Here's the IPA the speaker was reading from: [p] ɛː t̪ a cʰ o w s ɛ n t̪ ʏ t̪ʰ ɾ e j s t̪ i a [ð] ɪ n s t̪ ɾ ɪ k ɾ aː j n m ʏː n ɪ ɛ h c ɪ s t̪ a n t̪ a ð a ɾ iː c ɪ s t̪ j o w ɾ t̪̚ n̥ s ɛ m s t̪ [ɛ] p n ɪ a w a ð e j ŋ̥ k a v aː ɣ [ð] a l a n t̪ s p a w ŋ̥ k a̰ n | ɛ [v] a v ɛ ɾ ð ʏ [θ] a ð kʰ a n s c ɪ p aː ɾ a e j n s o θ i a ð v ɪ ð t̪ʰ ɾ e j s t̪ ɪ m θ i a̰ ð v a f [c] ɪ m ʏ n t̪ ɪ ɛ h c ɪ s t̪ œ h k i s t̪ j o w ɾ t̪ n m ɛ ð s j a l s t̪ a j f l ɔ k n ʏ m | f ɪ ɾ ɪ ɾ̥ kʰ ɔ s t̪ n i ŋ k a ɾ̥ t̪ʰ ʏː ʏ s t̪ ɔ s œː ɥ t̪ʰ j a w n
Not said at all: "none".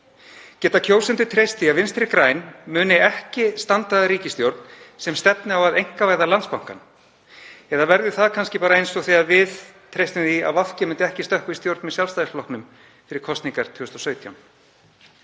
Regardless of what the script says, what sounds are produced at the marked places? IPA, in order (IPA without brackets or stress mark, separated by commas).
c, v, ɛ, ð, ð, θ, c